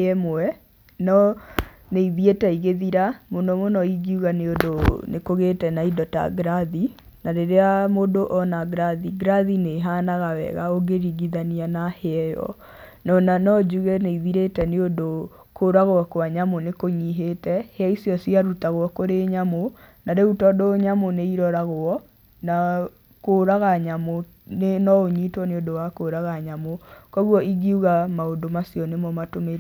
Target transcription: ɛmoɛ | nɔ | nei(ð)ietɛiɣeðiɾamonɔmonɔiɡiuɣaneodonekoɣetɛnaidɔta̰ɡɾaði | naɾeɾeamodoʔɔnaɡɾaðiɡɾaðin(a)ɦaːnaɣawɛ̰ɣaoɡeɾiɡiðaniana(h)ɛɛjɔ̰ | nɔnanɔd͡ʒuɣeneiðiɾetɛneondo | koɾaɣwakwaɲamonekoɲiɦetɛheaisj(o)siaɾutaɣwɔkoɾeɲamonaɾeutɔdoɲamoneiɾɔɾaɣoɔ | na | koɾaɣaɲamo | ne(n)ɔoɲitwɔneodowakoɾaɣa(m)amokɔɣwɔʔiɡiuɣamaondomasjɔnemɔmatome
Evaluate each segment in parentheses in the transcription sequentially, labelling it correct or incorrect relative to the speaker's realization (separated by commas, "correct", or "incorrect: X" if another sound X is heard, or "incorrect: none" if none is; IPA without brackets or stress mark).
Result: correct, incorrect: e, correct, incorrect: ɔ, correct, incorrect: ɲ